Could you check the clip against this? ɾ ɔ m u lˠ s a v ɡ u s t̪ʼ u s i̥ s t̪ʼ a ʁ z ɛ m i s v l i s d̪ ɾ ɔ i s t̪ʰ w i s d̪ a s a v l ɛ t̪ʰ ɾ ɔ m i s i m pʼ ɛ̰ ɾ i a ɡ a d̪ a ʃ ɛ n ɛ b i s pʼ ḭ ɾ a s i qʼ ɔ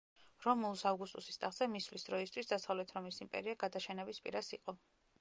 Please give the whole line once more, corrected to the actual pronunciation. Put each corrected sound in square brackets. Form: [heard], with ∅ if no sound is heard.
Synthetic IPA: ɾ ɔ m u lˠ s a v ɡ u s t̪ʼ u s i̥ s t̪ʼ a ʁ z ɛ m i s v l i s d̪ ɾ ɔ i s t̪ʰ w i s d̪ a s a v l ɛ t̪ʰ ɾ ɔ m i s i m pʼ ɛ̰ ɾ i a ɡ a d̪ a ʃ ɛ n ɛ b i s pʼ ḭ ɾ a s i qʼ ɔ